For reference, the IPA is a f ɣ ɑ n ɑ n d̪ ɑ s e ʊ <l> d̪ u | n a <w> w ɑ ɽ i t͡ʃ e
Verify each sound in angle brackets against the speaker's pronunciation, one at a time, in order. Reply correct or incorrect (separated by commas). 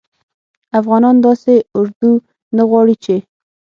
incorrect, incorrect